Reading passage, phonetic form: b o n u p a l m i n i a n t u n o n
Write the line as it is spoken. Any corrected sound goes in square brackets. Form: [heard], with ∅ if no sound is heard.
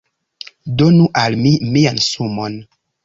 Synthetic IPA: [d] o n u [ʔ] a l m i [m] i a n [s] u [m] o n

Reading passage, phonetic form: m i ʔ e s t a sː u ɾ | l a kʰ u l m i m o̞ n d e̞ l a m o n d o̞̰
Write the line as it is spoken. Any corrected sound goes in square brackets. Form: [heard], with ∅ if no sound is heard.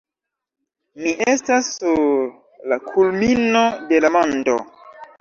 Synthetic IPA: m i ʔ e s t a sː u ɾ | l a kʰ u l m i [n] o̞ [∅] d e̞ l a m o n d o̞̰

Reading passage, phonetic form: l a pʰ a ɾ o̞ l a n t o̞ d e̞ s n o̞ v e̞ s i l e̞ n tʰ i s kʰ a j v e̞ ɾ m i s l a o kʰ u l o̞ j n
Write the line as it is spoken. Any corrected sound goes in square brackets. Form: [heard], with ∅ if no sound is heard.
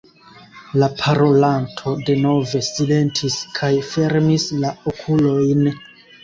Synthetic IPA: l a pʰ a ɾ o̞ l a n [tʰ] o̞ d e̞ [∅] n o̞ v e̞ s i l e̞ n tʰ i s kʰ a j [f] e̞ ɾ m i s l a o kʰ u l o̞ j n

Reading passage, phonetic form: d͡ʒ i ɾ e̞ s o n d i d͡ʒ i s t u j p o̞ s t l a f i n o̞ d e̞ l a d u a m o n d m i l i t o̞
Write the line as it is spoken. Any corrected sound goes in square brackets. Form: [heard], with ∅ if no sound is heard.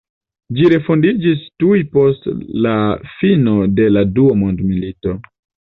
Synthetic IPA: d͡ʒ i ɾ e̞ [f] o n d i d͡ʒ i s t u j p o̞ s t l a f i n o̞ d e̞ l a d u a m o n d m i l i t o̞

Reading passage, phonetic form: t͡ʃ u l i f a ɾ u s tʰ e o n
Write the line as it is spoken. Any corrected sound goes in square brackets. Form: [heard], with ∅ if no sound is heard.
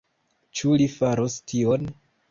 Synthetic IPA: t͡ʃ u l i f a ɾ [o] s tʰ [i] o n

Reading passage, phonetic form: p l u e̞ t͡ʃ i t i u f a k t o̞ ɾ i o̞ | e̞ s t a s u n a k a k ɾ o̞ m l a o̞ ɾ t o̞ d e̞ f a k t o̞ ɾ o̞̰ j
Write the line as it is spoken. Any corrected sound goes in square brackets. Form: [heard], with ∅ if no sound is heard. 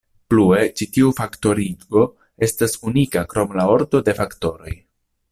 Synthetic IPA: p l u e̞ t͡ʃ i t i u f a k t o̞ ɾ i o̞ | e̞ s t a s u n [i] k a k ɾ o̞ m l a o̞ ɾ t o̞ d e̞ f a k t o̞ ɾ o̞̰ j

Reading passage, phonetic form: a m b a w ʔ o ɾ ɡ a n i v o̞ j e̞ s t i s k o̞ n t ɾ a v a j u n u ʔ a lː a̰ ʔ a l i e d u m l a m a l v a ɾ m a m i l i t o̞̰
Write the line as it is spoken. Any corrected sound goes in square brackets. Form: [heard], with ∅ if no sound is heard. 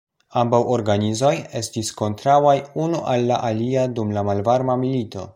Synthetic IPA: a m b a w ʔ o ɾ ɡ a n i [z] o̞ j e̞ s t i s k o̞ n t ɾ a [w] a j u n u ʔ a lː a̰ ʔ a l i [a] d u m l a m a l v a ɾ m a m i l i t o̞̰

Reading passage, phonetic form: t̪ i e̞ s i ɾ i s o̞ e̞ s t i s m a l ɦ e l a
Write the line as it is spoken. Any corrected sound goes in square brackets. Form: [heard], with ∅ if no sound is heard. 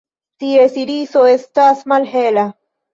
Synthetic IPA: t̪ i e̞ s i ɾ i s o̞ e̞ s t [a] s m a l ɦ e l a

